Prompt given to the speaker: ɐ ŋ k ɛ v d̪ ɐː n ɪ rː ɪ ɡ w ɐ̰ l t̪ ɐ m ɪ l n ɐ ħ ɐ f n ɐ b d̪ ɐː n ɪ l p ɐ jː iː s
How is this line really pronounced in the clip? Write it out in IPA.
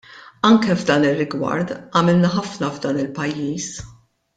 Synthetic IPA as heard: ɐ ŋ k ɛ v d̪ ɐː n ɪ rː ɪ ɡ w ɐ̰ ɾ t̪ ɐ m ɪ l n ɐ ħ ɐ f n ɐ v d̪ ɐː n ɪ l p ɐ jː iː s